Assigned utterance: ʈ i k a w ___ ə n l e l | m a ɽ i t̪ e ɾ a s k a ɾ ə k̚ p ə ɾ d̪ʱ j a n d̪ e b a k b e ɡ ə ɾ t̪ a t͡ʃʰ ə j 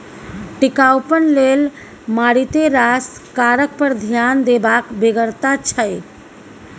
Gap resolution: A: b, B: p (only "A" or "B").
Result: B